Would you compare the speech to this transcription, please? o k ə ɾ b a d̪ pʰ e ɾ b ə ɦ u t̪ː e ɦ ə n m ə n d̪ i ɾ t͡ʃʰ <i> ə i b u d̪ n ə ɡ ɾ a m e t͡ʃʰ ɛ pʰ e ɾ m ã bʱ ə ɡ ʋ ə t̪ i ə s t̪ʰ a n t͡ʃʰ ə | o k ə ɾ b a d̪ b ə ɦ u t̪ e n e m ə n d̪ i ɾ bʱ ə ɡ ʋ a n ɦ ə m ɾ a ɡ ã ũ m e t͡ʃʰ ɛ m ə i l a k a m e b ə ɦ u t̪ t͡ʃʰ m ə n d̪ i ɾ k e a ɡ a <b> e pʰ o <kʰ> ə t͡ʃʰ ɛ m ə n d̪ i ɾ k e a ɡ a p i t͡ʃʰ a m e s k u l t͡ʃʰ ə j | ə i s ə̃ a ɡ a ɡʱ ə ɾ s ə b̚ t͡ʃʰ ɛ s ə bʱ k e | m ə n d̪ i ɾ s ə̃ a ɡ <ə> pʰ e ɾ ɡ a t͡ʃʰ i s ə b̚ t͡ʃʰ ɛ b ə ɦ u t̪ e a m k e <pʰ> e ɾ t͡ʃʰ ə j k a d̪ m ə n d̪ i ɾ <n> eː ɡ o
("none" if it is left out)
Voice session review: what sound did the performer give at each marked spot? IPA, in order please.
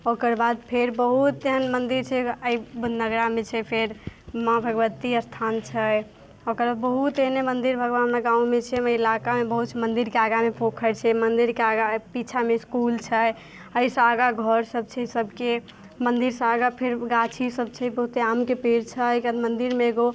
ɛ, m, kʰ, a, p, m

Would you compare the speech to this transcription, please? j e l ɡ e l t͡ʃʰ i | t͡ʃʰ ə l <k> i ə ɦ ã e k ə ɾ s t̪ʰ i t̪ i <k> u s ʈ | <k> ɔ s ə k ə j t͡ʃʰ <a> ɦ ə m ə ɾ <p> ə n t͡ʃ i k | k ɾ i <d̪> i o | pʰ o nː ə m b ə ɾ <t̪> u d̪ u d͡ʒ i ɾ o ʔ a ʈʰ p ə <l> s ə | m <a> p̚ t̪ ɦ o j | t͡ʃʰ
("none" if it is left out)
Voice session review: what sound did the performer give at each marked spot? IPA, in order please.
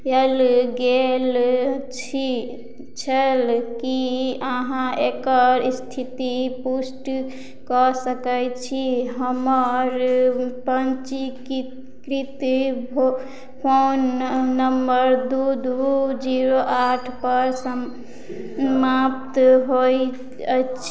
k, p, k, i, p, t̪, d̪, ɾ, a

